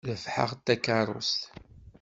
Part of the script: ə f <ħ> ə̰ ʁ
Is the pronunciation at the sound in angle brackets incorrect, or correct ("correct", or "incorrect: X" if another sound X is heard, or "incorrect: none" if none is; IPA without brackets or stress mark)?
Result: correct